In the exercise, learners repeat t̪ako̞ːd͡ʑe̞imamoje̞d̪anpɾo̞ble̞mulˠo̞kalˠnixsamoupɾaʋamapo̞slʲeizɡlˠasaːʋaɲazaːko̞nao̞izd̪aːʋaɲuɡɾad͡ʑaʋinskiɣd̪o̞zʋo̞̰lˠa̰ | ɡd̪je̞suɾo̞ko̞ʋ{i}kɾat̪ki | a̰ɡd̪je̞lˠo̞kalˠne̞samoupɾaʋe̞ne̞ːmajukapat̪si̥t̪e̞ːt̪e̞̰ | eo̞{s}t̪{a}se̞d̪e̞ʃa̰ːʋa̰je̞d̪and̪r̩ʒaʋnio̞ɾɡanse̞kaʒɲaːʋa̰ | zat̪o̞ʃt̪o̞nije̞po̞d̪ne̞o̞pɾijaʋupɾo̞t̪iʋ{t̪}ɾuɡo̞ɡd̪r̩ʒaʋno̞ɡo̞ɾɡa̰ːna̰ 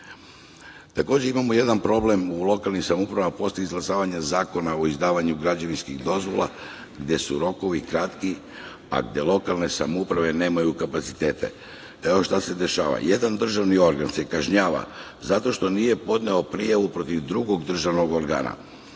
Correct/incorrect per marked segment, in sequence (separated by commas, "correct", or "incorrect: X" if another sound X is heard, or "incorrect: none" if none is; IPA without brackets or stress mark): correct, incorrect: ʃ, correct, incorrect: d̪